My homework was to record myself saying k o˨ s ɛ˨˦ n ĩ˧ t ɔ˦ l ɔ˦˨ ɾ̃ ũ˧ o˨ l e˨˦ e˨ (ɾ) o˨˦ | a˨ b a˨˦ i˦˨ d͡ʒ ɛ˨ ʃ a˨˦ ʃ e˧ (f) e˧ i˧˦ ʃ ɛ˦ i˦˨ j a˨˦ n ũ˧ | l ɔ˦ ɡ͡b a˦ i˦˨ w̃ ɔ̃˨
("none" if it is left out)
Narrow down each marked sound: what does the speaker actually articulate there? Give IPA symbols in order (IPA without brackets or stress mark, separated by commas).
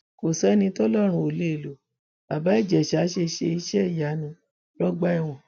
l, ʃ